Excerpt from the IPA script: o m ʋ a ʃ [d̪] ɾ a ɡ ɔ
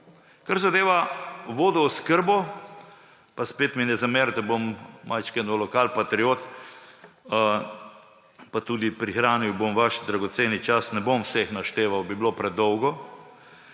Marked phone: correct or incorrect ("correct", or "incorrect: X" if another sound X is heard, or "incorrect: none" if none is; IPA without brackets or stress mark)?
correct